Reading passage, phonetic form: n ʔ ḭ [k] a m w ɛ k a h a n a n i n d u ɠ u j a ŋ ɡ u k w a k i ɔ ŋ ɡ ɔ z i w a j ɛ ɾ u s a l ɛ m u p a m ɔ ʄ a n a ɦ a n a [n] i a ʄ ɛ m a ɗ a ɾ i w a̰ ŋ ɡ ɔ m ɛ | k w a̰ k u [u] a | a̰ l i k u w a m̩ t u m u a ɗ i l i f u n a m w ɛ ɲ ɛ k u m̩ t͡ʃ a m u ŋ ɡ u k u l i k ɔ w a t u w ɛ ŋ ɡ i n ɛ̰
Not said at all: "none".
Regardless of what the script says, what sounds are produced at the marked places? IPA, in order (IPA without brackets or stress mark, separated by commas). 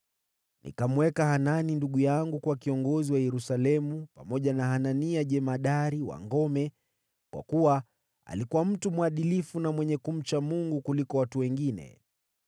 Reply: k, n, w